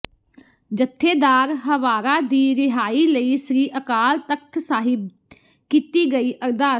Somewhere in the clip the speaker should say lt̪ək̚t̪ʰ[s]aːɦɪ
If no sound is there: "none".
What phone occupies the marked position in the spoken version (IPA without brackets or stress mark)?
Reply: s